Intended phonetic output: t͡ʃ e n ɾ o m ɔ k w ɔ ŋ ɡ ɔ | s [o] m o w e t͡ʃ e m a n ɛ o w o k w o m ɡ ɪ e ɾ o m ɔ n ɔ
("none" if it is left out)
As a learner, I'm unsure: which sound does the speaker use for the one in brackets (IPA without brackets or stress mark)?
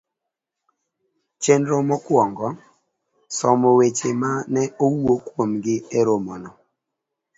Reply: ɔ